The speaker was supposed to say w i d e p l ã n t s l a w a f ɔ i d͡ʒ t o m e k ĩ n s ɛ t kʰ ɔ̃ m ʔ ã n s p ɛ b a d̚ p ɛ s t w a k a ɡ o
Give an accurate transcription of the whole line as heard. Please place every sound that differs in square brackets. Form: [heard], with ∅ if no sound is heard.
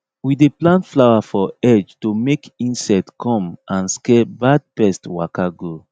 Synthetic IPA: w i d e p l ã n t [f] l a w a f ɔ [ɛ] d͡ʒ t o m e k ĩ n s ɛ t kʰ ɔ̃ m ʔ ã n s [k] ɛ b a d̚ p ɛ s t w a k a ɡ o